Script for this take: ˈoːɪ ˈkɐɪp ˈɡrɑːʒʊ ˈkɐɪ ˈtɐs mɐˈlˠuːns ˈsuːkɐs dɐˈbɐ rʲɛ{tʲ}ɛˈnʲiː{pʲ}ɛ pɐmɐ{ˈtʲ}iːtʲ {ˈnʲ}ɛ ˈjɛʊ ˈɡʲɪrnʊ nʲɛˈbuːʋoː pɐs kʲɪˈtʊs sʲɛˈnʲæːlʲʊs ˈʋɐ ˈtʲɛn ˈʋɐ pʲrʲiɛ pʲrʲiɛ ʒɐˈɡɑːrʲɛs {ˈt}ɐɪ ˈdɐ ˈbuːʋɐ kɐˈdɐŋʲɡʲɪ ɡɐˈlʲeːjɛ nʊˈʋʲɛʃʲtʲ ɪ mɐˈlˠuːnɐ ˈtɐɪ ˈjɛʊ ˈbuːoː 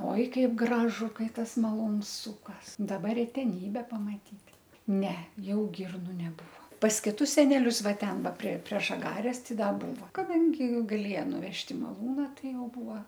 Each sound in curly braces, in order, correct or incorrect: correct, incorrect, correct, correct, correct

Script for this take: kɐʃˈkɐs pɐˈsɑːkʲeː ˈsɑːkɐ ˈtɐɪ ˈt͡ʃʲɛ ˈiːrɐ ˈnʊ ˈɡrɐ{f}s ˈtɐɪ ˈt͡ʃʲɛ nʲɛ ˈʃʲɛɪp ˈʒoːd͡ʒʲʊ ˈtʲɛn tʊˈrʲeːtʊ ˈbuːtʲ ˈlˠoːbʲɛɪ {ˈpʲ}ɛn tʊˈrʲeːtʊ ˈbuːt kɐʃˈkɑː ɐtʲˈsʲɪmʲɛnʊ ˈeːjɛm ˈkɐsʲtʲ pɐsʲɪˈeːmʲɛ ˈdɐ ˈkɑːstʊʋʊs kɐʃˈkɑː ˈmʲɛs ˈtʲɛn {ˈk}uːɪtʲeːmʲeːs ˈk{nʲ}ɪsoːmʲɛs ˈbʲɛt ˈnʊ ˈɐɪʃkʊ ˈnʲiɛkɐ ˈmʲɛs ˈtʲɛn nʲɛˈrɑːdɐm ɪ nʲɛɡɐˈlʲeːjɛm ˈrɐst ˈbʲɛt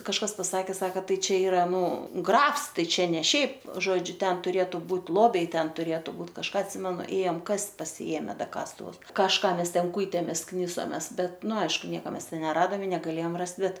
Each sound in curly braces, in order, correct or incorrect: correct, incorrect, correct, correct

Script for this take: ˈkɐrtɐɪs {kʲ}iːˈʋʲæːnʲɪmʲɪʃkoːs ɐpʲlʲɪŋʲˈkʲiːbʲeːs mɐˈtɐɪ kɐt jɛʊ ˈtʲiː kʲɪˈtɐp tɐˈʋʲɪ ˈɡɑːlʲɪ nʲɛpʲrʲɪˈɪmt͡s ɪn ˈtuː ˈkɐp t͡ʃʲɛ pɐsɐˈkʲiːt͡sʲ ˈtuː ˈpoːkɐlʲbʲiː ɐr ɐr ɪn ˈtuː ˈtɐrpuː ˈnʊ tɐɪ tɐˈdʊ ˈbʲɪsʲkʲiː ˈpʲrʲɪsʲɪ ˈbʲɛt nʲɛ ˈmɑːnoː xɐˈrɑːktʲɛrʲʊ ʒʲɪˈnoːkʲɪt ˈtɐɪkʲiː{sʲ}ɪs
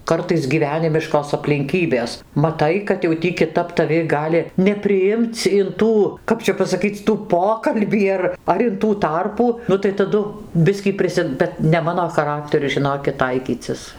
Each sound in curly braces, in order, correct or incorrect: incorrect, incorrect

